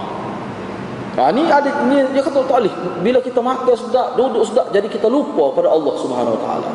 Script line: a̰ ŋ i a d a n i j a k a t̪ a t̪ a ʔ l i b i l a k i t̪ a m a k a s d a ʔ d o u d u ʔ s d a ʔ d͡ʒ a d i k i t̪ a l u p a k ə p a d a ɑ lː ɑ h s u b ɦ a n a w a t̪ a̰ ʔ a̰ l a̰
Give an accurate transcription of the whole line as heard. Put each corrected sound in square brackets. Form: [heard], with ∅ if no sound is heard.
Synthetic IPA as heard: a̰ [n] i a d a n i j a k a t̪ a t̪ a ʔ l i b i l a k i t̪ a m a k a s d a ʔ d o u d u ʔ s d a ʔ d͡ʒ a d i k i t̪ a l u p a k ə p a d a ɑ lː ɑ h s u b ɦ a n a w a t̪ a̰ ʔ a̰ l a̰